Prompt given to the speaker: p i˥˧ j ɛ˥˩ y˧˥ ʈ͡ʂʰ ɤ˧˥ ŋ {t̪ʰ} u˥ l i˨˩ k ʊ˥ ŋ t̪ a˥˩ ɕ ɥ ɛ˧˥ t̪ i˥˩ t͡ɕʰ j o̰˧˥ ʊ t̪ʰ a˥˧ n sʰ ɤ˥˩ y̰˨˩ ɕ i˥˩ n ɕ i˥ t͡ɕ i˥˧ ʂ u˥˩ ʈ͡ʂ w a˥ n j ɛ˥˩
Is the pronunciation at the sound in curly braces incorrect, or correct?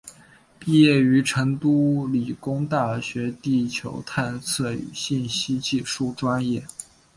incorrect: t̪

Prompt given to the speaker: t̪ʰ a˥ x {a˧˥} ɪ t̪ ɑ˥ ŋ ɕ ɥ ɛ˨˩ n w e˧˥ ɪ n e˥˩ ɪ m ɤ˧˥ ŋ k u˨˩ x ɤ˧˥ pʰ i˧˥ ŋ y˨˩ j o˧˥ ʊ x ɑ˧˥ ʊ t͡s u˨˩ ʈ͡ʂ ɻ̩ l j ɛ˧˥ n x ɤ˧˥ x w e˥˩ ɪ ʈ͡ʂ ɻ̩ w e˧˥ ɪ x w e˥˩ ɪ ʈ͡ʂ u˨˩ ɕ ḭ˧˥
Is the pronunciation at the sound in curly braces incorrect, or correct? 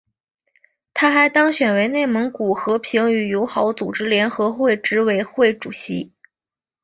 correct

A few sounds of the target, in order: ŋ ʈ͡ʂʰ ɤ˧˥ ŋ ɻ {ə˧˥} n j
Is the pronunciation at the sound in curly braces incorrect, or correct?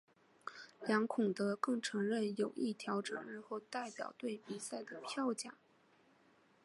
incorrect: ə˥˩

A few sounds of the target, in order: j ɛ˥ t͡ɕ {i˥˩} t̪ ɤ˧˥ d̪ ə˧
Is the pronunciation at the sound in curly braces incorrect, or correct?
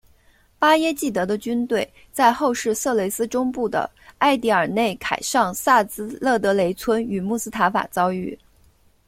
correct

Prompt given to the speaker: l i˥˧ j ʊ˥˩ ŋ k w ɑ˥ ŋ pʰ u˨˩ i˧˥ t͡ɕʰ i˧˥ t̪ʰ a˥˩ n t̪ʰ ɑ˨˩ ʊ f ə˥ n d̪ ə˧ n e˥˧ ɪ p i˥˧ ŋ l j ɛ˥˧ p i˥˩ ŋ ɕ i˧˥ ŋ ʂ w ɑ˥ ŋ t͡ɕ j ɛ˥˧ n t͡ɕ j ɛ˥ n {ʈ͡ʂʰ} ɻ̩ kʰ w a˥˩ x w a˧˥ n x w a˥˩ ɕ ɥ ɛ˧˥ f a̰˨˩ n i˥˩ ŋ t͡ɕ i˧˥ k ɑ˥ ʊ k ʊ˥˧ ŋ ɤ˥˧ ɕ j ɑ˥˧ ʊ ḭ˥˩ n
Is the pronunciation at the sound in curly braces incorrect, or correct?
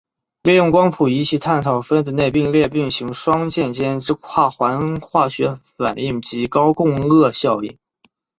incorrect: ʈ͡ʂ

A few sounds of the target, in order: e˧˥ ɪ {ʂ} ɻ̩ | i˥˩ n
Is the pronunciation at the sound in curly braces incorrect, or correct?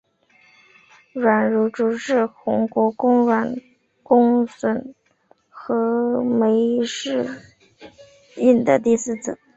correct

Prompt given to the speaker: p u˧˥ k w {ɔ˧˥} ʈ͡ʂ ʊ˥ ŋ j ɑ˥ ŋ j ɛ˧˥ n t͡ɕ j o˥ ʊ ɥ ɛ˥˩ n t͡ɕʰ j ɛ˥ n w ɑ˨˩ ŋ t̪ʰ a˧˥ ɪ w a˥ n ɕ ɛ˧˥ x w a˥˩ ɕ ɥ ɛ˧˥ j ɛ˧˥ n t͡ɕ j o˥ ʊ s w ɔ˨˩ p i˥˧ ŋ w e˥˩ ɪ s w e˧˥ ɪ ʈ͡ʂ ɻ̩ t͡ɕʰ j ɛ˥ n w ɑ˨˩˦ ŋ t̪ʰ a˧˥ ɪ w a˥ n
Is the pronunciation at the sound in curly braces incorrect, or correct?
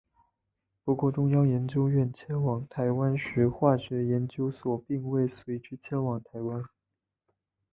incorrect: ɔ˥˩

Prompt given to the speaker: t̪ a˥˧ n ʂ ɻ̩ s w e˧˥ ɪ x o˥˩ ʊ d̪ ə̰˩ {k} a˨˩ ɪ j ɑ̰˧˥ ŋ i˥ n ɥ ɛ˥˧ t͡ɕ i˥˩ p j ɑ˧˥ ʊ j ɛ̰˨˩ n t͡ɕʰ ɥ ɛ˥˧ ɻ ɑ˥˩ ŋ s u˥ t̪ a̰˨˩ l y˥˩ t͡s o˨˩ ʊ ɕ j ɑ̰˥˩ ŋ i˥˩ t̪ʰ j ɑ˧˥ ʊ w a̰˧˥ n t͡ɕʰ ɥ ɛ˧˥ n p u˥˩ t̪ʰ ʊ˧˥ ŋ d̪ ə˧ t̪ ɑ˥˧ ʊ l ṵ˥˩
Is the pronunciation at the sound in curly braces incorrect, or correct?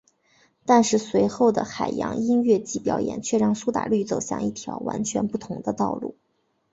incorrect: x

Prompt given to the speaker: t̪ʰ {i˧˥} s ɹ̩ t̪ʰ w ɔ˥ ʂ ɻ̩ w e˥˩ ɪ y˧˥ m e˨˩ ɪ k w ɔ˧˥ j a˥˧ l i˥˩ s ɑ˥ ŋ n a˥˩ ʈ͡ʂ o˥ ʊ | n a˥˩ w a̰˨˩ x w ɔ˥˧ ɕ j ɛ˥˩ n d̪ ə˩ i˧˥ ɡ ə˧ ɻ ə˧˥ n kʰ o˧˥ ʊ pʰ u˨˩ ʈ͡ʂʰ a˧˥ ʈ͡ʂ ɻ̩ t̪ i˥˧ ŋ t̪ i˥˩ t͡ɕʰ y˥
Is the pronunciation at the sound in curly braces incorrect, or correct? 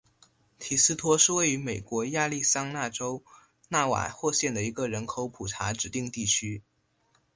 incorrect: i˨˩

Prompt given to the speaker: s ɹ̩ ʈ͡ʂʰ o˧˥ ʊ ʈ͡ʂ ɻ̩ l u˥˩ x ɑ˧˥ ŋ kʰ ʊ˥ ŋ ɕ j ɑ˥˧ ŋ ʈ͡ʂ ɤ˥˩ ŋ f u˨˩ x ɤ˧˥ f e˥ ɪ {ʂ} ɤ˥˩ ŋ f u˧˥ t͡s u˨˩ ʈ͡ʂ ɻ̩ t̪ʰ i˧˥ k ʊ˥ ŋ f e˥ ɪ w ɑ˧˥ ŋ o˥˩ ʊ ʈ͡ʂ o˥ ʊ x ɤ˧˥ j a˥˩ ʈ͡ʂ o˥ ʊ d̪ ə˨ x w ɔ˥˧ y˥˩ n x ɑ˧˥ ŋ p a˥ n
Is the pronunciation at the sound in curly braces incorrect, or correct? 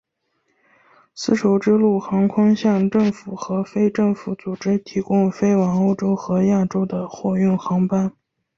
incorrect: ʈ͡ʂ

